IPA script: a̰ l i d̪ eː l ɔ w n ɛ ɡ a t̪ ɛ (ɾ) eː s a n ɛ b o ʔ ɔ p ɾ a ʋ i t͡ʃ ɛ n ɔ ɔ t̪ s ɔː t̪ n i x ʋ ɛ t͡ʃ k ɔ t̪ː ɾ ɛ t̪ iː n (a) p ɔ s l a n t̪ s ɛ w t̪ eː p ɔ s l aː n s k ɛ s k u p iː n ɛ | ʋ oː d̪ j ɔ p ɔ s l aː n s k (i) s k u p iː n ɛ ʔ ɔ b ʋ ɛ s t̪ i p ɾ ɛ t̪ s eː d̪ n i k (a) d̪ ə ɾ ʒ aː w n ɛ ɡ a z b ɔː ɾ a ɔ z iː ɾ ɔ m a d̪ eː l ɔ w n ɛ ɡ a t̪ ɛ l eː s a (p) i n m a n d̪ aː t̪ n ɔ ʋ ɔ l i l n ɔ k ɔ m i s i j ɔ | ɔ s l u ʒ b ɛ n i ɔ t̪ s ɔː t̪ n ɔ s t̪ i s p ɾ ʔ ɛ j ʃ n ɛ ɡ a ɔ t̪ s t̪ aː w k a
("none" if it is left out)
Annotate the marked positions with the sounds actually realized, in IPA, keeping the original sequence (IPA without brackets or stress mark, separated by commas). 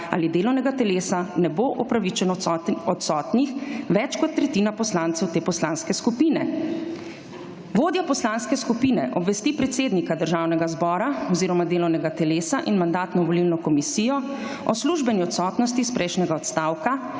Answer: l, a, ɛ, a, ʔ